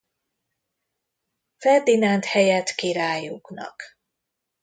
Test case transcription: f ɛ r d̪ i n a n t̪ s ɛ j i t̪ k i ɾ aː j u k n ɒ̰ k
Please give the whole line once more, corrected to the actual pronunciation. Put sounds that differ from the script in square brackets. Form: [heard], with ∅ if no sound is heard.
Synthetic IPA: f ɛ r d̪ i n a n t̪ [h] ɛ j [ɛ] t̪ k i ɾ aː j u k n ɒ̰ k